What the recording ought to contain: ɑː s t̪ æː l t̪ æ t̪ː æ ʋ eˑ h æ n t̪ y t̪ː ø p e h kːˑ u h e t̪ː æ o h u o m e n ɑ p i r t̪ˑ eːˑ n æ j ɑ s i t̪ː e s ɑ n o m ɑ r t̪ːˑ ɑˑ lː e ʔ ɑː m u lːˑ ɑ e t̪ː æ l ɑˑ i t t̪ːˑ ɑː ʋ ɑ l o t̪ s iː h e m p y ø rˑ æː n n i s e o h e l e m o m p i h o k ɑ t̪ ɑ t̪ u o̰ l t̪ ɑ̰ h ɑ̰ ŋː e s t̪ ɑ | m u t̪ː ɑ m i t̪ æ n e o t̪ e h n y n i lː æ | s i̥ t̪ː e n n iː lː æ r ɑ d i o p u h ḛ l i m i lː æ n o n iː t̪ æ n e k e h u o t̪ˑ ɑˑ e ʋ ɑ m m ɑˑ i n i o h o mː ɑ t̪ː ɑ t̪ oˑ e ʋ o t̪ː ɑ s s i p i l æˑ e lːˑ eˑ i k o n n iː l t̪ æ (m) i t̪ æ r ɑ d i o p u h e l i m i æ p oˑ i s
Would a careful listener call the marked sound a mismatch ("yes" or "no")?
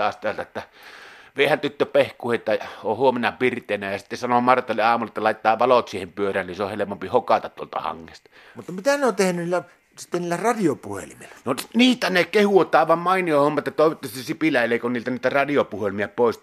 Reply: yes